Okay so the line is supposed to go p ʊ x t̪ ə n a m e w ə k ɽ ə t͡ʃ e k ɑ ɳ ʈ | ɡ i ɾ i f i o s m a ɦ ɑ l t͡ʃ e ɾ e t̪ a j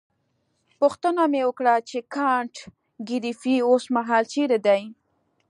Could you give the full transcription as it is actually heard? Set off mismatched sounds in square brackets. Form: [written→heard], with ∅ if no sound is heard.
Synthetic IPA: p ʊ x t̪ ə n a m e w ə k ɽ [ə→a] t͡ʃ e k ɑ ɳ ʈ | ɡ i ɾ i f i o s m a ɦ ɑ l t͡ʃ e ɾ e [t̪→d̪] a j